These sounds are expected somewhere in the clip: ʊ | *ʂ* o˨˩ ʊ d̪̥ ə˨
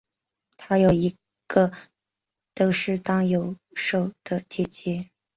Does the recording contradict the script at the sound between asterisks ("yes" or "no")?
no